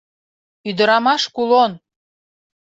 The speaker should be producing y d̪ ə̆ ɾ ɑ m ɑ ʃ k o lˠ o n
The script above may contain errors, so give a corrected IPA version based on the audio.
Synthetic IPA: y d̪ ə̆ ɾ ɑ m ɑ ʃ k u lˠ o n